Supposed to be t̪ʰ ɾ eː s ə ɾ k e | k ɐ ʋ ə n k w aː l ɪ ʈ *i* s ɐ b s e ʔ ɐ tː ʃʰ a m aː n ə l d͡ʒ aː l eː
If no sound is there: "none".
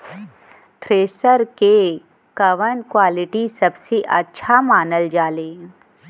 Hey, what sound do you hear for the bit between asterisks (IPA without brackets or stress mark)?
i